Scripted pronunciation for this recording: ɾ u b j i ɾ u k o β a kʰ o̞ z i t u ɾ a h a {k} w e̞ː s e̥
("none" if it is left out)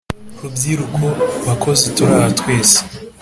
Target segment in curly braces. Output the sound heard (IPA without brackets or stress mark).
t